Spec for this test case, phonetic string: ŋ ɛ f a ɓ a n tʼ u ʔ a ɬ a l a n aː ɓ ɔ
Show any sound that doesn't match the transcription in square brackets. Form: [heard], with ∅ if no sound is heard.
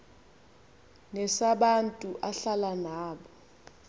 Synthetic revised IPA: ŋ ɛ [s] a ɓ a n tʼ u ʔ a ɬ a l a n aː ɓ ɔ